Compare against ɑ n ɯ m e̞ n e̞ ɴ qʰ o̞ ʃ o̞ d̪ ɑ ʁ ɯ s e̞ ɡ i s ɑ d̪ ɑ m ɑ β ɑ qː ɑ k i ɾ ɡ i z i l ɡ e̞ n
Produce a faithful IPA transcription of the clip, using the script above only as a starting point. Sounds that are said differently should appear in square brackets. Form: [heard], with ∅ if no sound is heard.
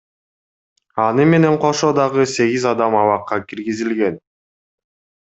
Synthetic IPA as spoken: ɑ n ɯ m e̞ n e̞ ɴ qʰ o̞ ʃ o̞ d̪ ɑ ʁ ɯ s e̞ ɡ i [z] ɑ d̪ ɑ m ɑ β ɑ qː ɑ k i ɾ ɡ i z i l ɡ e̞ n